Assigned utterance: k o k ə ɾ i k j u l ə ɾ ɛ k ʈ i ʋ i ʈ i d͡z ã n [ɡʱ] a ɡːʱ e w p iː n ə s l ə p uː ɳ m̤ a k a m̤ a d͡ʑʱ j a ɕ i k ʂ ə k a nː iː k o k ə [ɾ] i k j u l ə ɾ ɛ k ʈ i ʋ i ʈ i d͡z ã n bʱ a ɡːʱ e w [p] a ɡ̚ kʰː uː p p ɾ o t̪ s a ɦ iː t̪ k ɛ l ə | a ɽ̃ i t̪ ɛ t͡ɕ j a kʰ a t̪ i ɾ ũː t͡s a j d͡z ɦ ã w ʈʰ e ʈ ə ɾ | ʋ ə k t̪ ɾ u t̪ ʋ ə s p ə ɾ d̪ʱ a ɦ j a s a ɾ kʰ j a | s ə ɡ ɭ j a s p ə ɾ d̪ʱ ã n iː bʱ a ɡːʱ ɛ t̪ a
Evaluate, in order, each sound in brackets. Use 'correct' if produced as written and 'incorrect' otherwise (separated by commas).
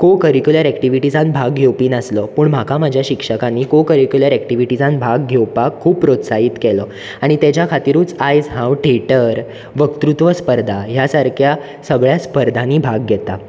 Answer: incorrect, correct, correct